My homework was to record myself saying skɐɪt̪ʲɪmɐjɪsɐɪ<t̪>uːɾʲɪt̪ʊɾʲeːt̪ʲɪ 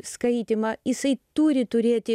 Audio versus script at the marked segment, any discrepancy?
no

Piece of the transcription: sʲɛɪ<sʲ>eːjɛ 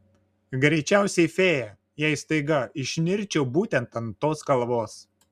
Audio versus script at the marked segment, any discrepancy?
yes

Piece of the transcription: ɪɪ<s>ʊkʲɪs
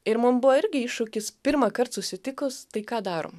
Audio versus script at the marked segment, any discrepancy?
yes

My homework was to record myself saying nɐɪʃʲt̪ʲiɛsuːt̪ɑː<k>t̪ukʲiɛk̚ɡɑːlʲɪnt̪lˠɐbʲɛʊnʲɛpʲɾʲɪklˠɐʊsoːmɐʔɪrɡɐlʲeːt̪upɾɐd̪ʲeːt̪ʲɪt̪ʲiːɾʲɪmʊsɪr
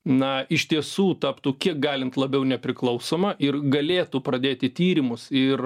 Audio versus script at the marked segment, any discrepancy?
yes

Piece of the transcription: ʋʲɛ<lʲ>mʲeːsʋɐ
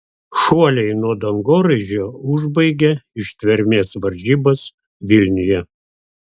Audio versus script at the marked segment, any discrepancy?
yes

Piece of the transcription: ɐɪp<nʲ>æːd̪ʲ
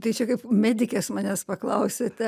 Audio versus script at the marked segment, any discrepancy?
yes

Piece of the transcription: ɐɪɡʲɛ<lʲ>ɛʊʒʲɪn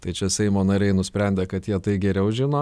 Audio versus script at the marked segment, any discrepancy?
yes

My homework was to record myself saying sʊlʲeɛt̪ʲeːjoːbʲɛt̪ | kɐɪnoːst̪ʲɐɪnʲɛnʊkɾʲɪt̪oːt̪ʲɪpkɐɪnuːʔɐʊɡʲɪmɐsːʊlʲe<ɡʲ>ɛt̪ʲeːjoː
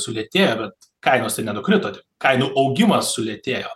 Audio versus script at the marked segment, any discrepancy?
yes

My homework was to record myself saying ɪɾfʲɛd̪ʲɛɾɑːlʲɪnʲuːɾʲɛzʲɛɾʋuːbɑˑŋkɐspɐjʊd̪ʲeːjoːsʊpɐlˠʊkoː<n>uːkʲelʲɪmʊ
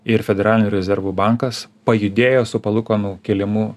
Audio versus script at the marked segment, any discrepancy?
no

